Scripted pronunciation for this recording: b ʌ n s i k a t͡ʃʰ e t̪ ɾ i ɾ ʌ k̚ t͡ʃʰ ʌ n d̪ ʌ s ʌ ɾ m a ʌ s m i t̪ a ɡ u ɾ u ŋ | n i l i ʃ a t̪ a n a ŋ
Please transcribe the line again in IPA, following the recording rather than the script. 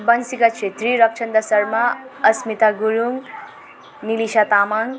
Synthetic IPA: b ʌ n s i k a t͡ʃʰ e t̪ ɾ i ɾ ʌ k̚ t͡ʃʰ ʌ n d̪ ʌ s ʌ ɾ m a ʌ s m i t̪ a ɡ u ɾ u ŋ | n i l i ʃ a t̪ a m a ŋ